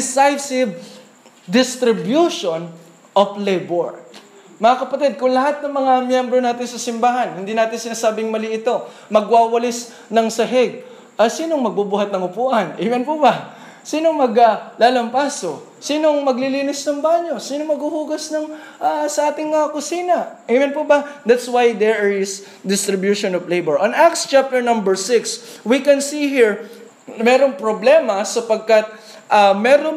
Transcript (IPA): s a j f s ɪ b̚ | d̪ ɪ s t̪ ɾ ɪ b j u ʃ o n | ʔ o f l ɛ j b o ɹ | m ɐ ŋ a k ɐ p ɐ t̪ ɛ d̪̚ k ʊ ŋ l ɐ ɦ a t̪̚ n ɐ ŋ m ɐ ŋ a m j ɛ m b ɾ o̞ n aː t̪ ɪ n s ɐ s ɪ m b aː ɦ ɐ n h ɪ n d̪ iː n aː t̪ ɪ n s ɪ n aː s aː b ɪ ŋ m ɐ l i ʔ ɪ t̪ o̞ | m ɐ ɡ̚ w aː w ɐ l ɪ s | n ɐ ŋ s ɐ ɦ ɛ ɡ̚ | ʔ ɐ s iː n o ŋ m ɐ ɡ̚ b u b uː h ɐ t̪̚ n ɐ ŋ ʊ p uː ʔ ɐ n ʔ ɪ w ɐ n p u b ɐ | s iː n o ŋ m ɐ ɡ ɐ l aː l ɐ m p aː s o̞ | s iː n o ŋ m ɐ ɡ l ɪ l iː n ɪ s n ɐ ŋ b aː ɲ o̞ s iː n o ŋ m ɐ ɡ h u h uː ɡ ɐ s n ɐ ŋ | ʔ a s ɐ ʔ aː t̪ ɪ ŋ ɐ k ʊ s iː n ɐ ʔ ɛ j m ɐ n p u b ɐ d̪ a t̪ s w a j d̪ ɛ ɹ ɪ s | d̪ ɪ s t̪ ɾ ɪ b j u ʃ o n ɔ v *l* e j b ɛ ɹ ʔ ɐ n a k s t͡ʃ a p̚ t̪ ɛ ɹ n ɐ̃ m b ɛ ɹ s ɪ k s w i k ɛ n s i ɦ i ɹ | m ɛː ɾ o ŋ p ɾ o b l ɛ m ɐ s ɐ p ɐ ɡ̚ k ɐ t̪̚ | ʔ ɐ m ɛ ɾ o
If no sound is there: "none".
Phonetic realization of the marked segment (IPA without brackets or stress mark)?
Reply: l